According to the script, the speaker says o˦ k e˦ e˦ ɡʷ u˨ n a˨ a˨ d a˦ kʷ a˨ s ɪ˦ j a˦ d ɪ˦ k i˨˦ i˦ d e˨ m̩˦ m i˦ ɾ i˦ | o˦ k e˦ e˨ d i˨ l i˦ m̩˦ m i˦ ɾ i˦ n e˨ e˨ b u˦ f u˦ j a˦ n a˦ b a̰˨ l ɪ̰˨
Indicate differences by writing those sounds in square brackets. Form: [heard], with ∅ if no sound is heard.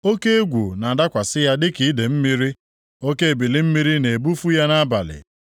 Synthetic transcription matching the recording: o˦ k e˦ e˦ ɡʷ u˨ n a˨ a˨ d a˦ kʷ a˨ s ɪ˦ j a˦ d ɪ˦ k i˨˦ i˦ d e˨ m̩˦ m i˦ ɾ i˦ | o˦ k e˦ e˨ [b] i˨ l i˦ m̩˦ m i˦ ɾ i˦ n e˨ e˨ b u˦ f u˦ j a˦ n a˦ b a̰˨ l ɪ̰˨